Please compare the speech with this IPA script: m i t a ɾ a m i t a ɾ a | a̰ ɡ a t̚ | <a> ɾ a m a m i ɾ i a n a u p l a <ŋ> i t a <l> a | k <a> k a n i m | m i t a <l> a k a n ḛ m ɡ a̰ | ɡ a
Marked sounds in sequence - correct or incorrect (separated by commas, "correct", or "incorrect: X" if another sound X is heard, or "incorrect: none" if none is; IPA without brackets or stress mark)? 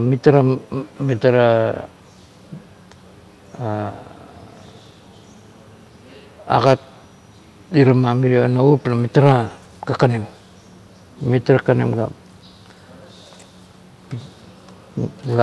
incorrect: i, incorrect: m, incorrect: ɾ, correct, incorrect: ɾ